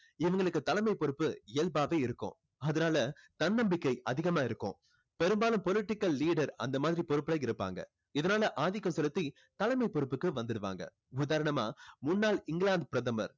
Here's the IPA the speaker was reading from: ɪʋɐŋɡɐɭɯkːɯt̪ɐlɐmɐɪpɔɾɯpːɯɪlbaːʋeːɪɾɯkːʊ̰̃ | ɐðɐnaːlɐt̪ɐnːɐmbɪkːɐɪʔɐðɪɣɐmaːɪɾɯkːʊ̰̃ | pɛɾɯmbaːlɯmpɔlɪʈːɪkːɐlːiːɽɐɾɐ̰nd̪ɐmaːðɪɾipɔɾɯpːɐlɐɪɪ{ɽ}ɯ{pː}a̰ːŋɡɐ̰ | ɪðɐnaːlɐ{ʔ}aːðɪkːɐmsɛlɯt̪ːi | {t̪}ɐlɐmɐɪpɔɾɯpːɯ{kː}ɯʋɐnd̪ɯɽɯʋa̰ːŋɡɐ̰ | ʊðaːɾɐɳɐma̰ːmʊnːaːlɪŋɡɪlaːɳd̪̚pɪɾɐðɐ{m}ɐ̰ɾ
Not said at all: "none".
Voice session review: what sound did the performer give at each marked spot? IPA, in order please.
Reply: ɾ, pː, ʔ, t̪, kː, m

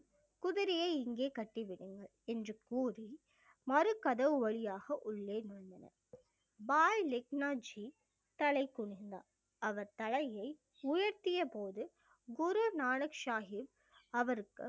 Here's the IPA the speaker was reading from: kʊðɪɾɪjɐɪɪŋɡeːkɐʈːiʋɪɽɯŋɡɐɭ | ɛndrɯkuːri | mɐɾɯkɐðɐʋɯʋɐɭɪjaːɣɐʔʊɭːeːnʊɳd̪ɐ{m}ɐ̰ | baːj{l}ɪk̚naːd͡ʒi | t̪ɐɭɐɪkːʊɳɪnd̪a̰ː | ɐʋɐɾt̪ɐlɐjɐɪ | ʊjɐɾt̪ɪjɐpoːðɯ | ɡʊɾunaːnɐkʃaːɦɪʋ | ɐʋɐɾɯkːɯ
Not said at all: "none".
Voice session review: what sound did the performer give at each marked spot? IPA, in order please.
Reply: n, l

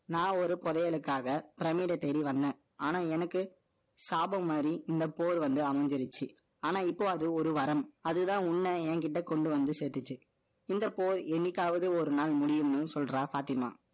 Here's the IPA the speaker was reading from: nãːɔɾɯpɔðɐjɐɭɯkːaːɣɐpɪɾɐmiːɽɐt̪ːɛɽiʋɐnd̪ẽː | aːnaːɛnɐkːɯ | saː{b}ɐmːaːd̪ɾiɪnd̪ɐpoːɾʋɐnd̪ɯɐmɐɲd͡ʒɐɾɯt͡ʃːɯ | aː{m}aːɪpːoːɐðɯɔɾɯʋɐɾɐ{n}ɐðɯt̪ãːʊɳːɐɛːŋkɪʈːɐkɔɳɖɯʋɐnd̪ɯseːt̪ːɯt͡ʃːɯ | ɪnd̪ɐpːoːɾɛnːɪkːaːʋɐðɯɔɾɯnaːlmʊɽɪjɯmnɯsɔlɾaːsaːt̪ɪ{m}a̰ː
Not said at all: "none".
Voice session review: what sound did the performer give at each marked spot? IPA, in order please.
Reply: b, n, m, m

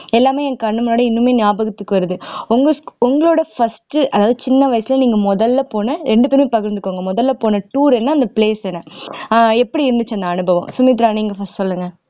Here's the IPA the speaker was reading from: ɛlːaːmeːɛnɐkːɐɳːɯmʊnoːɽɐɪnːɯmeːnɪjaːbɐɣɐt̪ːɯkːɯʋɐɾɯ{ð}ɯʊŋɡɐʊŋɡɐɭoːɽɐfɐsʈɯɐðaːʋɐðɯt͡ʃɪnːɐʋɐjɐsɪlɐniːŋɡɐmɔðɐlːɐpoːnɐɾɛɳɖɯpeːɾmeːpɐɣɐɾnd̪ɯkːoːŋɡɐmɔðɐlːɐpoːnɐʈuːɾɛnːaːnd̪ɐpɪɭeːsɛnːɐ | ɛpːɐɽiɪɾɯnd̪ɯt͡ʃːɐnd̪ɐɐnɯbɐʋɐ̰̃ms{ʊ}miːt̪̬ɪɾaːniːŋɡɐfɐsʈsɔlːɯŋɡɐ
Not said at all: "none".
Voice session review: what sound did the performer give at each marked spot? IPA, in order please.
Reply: ð, ʊ

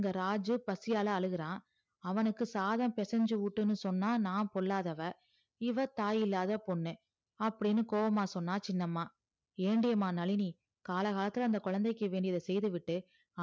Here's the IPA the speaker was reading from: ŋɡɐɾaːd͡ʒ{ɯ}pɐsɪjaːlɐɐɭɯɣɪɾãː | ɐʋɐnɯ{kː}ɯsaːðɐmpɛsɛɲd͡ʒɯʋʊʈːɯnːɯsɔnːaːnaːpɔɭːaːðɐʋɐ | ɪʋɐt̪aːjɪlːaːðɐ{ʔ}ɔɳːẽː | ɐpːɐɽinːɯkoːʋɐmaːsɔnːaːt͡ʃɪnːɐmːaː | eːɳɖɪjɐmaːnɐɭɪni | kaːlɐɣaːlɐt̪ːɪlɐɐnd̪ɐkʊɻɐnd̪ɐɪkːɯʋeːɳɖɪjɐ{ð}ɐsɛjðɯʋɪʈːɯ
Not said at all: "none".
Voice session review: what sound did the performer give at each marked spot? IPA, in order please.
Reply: ɯ, kː, p, ð

